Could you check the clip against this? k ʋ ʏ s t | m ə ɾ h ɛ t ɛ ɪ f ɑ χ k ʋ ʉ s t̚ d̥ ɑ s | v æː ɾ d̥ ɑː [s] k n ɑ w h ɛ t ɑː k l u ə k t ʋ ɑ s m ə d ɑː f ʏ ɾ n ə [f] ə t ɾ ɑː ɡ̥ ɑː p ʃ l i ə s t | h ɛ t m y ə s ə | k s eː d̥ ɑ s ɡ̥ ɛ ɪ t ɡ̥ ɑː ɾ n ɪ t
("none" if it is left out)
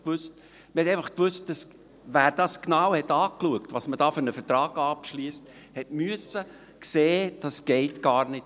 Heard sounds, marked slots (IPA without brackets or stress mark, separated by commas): s, f